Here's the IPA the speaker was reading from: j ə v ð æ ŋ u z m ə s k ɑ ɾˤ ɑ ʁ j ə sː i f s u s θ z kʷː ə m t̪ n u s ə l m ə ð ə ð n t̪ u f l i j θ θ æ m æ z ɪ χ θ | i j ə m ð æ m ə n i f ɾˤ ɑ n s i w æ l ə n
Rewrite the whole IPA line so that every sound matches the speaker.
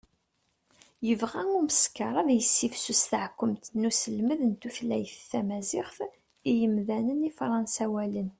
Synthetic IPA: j ə v ʁ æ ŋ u m ə s k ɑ ɾˤ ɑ ð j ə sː i f s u s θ ʕ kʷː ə m t̪ n u s ə l m ə ð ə n t̪ u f l æ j θ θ æ m æ z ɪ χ θ | i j ə m ð æ n ə n i f ɾˤ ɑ n s æ w æ l ə n

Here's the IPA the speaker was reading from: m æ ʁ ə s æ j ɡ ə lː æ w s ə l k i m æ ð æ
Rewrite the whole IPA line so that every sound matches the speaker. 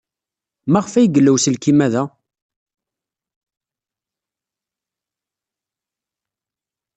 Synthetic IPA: m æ ʁ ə f æ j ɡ ə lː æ w s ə l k i m æ ð æ

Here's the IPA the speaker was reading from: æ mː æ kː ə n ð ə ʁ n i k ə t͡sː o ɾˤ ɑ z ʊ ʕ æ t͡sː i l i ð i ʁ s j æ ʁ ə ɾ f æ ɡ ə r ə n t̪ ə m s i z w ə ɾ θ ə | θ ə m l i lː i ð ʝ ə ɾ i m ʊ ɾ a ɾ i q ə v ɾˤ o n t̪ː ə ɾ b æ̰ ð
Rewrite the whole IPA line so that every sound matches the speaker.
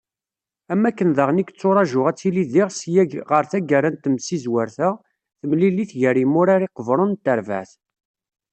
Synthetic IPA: æ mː æ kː ə n ð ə ʁ n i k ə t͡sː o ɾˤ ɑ ʒ ʊ ʁ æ t͡sː i l i ð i ʁ s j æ ʁ ə ɾ θ æ ɡ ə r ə n t̪ ə m s i z w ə ɾ θ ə | θ ə m l i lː i θ ʝ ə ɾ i m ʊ ɾ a ɾ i q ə v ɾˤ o n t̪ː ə ɾ v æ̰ θ

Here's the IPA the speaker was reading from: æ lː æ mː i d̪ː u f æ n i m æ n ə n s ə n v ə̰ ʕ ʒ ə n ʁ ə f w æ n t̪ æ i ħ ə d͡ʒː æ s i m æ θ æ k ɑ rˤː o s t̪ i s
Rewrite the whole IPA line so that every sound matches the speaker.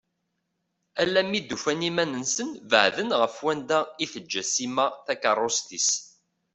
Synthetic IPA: æ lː æ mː i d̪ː u f æ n i m æ n ə n s ə n v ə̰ ʕ ð ə n ʁ ə f w æ n d̪ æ i θ ə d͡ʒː æ s i m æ θ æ k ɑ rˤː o s t̪ i s

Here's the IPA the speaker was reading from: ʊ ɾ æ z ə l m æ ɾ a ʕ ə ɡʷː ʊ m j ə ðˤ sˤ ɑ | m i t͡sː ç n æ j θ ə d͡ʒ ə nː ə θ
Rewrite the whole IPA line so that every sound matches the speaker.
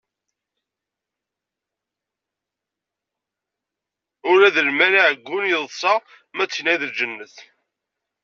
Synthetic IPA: ʊ ɾ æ ð ə l m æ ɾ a ʕ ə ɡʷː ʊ n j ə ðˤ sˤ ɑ | m æ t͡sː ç n æ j ð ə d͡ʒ ə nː ə θ

